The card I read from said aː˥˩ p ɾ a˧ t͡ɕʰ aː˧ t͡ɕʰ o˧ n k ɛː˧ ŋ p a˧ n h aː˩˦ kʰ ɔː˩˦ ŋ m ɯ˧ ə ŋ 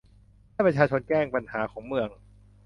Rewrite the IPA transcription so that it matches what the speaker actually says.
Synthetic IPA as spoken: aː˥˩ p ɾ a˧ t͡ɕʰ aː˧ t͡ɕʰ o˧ n k ɛː˥˩ ŋ p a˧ n h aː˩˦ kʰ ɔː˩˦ ŋ m ɯ˧ ə ŋ